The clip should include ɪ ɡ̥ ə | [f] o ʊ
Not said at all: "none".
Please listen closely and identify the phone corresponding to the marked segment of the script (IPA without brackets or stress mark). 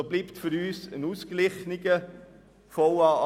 f